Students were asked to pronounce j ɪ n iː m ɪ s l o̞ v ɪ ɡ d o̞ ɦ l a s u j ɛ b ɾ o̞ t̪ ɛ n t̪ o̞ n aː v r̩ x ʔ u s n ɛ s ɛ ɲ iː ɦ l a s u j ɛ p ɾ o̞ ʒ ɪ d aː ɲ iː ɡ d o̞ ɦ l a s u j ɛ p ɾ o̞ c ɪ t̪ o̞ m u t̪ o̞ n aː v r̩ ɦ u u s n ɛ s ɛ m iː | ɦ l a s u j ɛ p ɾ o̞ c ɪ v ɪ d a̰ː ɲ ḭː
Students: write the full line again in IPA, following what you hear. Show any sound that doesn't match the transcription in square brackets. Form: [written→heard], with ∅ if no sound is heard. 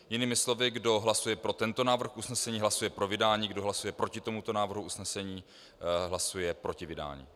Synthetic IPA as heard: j ɪ n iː m ɪ s l o̞ v ɪ ɡ d o̞ ɦ l a s u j ɛ [b→p] ɾ o̞ t̪ ɛ n t̪ o̞ n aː v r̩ x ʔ u s n ɛ s ɛ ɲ iː ɦ l a s u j ɛ p ɾ o̞ [ʒ→v] ɪ d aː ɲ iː ɡ d o̞ ɦ l a s u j ɛ p ɾ o̞ c ɪ t̪ o̞ m u t̪ o̞ n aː v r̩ ɦ u u s n ɛ s ɛ [m→ɲ] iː | ɦ l a s u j ɛ p ɾ o̞ c ɪ v ɪ d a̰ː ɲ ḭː